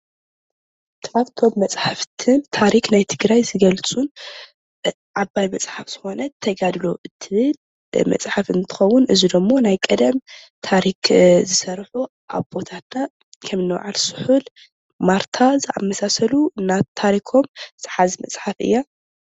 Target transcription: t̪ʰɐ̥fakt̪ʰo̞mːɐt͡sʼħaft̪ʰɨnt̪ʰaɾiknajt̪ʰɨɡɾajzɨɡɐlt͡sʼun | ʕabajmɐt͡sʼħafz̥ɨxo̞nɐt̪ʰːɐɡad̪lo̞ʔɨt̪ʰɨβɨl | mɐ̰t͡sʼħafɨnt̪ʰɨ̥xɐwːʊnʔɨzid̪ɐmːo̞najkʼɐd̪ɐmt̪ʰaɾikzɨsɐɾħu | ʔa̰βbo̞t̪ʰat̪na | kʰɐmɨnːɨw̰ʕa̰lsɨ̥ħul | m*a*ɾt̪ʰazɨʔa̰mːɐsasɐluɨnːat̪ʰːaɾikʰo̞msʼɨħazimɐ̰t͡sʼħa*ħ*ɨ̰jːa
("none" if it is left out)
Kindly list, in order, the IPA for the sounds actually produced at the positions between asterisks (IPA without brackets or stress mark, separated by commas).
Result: a, f